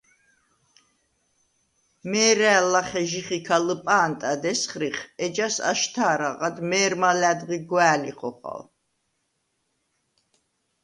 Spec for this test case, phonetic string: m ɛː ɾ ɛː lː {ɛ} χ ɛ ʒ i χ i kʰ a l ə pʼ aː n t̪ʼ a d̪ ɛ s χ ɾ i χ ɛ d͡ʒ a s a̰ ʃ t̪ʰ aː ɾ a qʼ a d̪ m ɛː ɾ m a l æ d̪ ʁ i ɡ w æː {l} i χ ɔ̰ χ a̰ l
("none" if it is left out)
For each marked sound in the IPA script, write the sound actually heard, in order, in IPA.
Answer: a, l

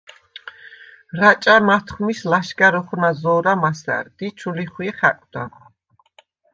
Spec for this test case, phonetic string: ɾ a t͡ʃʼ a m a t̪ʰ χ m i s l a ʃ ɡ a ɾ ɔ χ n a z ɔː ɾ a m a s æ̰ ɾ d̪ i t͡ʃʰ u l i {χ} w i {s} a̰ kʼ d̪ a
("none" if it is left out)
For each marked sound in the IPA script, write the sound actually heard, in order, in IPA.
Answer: χ, χ

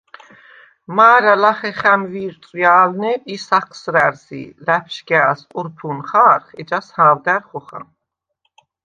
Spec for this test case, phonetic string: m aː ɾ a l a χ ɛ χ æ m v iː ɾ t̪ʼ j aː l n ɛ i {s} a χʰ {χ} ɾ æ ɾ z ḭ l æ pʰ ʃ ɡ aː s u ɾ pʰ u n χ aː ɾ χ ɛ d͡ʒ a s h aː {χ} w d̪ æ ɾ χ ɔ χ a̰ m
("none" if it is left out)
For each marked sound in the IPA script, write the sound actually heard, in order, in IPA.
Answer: s, s, none

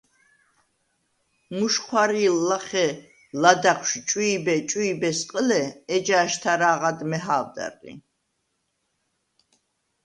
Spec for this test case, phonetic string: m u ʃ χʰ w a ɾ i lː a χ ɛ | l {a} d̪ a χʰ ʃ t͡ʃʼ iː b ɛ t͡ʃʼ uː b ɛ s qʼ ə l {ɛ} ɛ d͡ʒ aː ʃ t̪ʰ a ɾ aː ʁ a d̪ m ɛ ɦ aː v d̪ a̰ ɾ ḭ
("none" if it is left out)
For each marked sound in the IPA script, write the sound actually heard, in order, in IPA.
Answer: a, ɛ

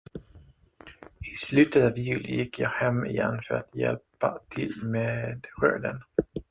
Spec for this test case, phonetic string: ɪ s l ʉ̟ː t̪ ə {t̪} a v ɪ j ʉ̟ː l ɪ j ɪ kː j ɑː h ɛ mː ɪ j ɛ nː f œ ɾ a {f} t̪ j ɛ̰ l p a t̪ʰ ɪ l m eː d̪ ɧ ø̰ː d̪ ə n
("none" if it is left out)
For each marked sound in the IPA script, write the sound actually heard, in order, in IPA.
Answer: t̪, none

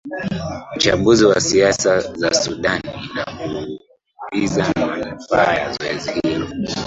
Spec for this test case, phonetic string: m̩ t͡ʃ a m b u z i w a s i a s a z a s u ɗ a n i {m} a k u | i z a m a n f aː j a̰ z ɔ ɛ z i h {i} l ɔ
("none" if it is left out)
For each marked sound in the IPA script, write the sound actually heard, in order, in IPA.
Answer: n, i

